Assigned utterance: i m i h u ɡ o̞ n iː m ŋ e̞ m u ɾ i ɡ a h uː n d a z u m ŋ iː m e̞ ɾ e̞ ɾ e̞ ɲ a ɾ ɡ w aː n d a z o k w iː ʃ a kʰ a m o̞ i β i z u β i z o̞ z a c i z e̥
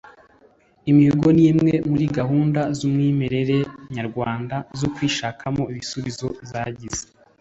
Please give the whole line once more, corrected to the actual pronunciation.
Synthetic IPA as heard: i m i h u ɡ o̞ n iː m ŋ e̞ m u ɾ i ɡ a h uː n d a z u m ŋ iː m e̞ ɾ e̞ ɾ e̞ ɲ a ɾ ɡ w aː n d a z o k w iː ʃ a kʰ a m o̞ i β i s u β i z o̞ z a ɟ i z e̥